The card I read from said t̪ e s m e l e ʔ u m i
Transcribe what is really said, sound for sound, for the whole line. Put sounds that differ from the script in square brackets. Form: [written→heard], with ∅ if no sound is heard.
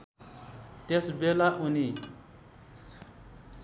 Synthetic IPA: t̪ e s [m→b] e l [e→a] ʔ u [m→n] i